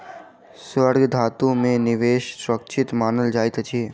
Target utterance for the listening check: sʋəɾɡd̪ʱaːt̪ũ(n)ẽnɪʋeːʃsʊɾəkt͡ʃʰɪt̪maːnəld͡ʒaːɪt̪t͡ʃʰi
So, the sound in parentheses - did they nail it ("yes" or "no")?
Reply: no